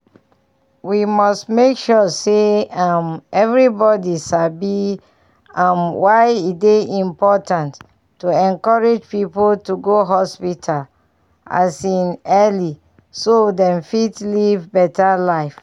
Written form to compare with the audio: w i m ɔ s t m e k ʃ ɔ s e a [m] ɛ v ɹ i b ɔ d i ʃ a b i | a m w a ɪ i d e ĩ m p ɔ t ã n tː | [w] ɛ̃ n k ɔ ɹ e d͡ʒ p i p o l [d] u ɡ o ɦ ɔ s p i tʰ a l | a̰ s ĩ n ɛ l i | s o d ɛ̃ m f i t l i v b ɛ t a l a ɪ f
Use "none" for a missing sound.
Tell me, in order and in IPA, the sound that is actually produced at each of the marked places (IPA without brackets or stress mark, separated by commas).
m, u, t